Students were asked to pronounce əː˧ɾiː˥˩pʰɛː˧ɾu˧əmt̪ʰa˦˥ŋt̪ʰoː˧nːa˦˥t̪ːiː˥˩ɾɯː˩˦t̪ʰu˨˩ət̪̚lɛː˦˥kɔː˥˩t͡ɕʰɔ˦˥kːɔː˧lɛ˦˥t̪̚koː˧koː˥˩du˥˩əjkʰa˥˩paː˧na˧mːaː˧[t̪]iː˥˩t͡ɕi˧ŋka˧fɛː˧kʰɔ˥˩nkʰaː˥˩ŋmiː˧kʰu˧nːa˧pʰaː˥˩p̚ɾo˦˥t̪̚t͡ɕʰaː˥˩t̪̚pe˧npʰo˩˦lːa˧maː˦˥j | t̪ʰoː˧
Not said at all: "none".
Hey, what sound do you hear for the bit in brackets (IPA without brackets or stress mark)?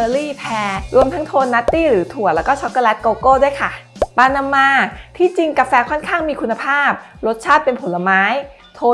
t̪ʰ